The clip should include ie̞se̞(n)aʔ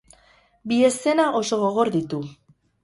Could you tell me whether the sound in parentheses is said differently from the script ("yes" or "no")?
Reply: no